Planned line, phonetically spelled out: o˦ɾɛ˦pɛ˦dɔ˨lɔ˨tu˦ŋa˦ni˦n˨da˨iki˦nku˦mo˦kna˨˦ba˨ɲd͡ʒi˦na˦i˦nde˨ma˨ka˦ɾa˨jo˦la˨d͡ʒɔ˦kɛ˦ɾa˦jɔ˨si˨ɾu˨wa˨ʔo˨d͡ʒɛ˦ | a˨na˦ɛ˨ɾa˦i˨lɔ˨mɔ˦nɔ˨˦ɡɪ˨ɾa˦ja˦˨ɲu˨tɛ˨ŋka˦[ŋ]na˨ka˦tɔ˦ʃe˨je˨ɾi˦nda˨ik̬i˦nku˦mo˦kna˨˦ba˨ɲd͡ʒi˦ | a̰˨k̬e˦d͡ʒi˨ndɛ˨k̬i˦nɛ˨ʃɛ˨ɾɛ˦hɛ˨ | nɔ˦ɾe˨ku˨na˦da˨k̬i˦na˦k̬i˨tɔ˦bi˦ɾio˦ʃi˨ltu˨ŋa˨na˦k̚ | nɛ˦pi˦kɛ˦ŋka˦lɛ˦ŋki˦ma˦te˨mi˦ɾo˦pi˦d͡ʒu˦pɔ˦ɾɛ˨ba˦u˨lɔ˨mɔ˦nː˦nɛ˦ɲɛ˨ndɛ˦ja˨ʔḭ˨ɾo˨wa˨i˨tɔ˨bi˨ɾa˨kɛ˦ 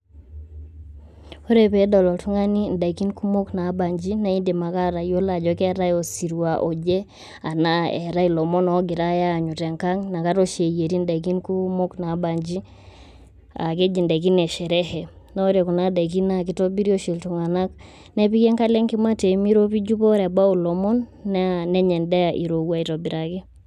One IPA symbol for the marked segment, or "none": ŋ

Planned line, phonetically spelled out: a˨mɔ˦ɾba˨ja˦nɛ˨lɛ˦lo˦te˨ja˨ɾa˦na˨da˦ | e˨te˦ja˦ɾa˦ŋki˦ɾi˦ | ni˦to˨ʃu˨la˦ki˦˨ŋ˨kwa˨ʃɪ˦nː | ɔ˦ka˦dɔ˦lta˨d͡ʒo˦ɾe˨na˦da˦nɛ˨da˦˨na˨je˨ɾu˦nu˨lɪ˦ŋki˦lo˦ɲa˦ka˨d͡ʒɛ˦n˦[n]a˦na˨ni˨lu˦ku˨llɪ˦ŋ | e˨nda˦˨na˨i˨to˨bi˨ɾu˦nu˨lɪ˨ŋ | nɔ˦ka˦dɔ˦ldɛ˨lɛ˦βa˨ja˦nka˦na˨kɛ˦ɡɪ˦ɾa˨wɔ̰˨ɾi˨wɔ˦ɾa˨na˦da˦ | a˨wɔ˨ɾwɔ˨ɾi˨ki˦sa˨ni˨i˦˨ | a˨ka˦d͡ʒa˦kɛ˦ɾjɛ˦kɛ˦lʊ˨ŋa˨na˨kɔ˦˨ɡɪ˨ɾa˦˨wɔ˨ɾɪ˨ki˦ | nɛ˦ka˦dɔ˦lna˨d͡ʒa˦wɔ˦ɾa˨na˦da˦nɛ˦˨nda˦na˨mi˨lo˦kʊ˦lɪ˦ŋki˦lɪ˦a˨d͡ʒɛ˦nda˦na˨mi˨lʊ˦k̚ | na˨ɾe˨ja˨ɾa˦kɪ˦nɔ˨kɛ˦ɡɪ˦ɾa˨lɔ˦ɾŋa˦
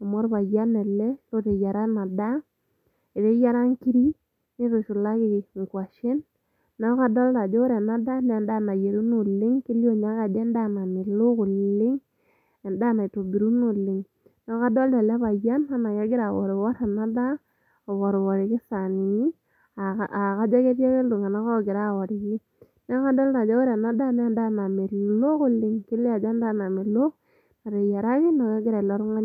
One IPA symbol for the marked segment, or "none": d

